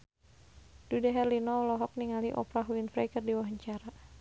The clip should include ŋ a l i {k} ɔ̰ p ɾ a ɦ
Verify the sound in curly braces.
incorrect: ʔ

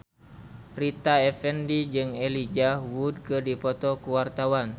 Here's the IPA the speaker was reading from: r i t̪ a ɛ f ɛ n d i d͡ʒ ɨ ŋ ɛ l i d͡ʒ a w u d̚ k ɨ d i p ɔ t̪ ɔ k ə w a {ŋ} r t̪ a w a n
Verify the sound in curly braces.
incorrect: none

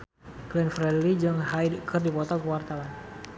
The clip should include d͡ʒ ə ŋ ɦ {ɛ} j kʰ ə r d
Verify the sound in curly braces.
incorrect: a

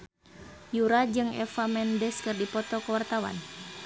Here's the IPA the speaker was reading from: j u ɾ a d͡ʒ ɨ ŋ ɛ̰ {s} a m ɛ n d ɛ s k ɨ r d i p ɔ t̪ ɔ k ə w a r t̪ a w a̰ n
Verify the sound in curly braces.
incorrect: f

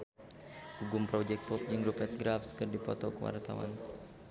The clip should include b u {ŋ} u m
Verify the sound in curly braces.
incorrect: ɡ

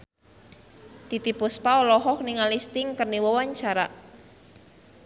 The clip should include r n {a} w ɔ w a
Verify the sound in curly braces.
incorrect: i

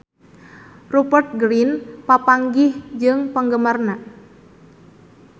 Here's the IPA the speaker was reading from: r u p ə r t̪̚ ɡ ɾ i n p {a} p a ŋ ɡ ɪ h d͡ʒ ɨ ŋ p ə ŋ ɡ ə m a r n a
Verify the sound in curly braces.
correct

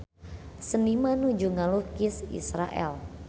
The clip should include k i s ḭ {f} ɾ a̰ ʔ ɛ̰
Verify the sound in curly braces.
incorrect: s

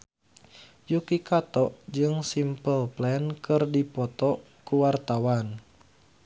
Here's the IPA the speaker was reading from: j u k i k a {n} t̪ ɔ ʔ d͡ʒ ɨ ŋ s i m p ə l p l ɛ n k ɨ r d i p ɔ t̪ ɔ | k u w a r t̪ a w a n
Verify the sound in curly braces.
incorrect: none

